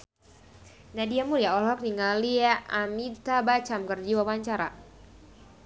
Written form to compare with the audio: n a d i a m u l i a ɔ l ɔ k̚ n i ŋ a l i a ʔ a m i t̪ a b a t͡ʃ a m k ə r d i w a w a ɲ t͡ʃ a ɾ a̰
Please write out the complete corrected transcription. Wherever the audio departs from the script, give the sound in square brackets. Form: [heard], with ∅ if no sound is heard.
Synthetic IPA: n a d i a m u l i a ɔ l ɔ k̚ n i ŋ a l i a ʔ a m i t̪ a b a t͡ʃ a m k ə r [d͡ʒ] i w a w a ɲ t͡ʃ a ɾ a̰